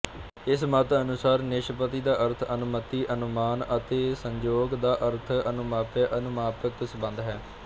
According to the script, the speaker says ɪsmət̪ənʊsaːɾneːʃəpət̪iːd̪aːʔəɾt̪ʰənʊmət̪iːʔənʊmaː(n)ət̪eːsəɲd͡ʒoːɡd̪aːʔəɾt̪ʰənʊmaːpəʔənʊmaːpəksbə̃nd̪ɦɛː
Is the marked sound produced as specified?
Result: yes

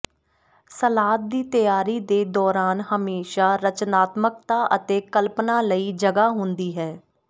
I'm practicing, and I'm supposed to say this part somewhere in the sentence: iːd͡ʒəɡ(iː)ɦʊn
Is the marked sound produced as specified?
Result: no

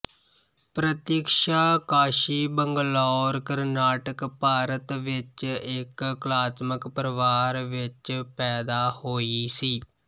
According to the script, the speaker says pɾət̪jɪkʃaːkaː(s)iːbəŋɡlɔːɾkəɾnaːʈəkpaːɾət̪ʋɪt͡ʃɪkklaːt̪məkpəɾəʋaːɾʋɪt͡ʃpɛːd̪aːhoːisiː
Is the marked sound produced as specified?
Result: no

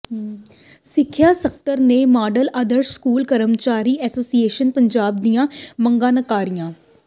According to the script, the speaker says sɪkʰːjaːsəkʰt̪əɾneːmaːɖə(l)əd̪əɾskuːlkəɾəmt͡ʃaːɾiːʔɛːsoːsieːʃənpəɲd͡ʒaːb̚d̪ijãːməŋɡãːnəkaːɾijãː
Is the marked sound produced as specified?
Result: yes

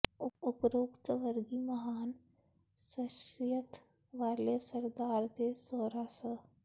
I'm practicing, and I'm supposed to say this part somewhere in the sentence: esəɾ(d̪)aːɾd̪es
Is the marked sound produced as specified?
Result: yes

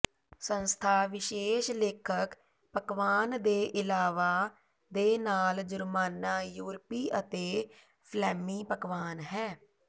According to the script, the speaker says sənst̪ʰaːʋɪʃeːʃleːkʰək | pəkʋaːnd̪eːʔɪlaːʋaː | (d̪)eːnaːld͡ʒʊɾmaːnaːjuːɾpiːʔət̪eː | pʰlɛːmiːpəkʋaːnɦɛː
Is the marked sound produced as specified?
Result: yes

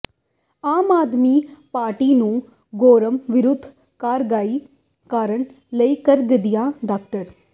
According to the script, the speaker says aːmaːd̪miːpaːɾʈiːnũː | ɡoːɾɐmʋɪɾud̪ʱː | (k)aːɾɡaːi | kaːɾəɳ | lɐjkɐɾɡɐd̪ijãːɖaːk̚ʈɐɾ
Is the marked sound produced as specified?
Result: yes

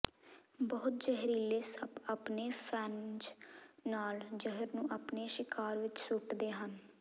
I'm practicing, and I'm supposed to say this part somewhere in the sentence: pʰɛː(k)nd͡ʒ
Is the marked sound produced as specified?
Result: no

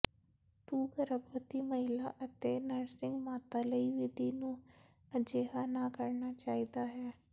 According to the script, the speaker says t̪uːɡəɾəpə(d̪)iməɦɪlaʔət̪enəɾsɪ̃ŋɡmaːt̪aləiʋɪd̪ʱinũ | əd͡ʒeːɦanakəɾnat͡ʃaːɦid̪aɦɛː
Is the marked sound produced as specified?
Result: no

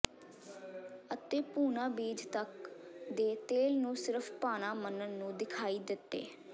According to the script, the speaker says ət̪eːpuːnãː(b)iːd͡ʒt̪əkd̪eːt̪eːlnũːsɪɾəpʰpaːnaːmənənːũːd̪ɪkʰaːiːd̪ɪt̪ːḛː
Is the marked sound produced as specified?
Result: yes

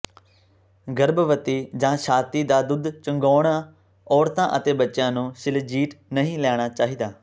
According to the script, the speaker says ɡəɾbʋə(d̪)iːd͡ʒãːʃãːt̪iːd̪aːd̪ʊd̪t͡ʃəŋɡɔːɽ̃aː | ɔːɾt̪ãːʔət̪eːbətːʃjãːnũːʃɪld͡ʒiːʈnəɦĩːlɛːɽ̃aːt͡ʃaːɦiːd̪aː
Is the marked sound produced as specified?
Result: no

